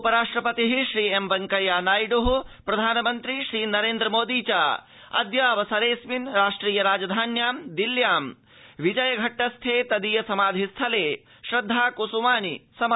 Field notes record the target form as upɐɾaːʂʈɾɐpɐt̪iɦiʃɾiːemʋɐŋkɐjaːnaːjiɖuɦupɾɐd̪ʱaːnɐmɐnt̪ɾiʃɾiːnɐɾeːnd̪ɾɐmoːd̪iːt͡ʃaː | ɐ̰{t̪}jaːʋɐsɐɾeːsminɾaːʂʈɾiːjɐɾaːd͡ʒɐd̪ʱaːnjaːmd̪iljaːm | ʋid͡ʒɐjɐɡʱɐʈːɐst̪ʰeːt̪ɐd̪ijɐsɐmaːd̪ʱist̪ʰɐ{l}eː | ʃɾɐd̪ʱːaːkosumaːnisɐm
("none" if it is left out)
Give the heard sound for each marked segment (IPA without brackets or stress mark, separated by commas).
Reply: d̪, l